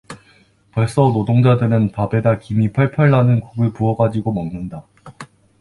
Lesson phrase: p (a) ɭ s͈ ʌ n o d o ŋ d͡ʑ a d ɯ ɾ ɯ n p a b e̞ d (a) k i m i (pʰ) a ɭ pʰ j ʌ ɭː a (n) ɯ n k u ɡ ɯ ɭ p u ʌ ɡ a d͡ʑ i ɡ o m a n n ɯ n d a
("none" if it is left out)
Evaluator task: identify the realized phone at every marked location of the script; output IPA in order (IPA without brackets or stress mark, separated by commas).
ʌ, a, pʰ, n